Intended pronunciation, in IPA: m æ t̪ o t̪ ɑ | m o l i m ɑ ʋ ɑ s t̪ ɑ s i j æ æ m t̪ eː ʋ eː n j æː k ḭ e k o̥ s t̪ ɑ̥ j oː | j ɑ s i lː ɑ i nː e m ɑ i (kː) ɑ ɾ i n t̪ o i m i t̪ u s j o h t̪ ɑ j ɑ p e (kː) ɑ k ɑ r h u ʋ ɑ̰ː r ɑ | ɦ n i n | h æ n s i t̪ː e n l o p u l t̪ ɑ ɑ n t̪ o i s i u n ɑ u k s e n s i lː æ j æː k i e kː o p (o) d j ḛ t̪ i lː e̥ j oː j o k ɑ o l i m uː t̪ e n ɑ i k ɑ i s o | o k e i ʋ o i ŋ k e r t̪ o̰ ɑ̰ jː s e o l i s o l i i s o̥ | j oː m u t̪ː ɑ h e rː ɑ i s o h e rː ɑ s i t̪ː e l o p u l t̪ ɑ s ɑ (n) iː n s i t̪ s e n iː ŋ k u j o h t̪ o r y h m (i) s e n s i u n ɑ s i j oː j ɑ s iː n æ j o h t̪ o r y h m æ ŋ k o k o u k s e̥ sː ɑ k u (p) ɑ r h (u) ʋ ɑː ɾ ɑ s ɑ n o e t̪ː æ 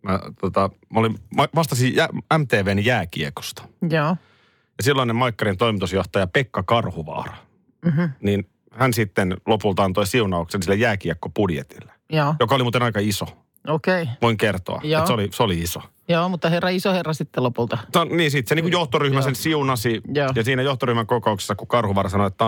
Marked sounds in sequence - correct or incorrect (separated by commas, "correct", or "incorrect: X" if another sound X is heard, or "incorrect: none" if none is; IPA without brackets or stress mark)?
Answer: correct, correct, incorrect: u, correct, incorrect: æ, incorrect: k, correct